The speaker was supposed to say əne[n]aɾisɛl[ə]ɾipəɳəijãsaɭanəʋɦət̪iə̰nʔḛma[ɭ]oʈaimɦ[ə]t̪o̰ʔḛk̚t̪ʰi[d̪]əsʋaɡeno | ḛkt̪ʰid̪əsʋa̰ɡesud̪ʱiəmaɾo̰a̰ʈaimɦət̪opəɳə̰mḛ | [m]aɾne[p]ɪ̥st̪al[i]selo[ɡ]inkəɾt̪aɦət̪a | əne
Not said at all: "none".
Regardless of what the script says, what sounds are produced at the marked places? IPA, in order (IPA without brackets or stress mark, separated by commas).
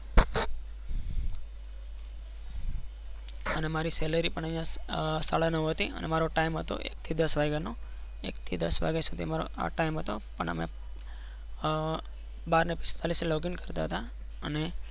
m, ə, ɾ, ə, d̪, b, p, i, ɡ